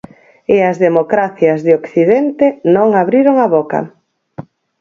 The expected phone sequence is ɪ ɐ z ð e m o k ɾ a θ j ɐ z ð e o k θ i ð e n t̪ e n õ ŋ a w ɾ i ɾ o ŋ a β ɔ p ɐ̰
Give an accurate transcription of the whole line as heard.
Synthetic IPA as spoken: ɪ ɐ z ð e m o k ɾ a θ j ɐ z ð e o k θ i ð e n t̪ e n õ ŋ a β ɾ i ɾ o ŋ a β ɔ k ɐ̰